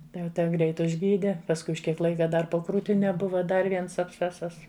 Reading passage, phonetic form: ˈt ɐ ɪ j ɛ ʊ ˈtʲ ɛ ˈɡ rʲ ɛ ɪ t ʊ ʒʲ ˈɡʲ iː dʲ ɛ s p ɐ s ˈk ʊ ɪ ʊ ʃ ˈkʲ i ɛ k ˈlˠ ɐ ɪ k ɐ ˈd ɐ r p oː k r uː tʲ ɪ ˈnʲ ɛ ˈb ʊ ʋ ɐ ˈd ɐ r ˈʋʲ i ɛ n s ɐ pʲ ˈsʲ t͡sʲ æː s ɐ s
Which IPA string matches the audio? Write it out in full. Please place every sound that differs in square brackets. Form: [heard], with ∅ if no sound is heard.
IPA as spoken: ˈt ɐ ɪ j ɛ ʊ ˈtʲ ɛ ˈɡ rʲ ɛ ɪ t ʊ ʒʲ ˈɡʲ iː dʲ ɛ [∅] p ɐ s ˈk ʊ ɪ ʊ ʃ ˈkʲ i ɛ k ˈlˠ ɐ ɪ k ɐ ˈd ɐ r p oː k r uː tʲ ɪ ˈnʲ ɛ ˈb ʊ ʋ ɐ ˈd ɐ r ˈʋʲ i ɛ n s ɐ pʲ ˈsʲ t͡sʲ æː s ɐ s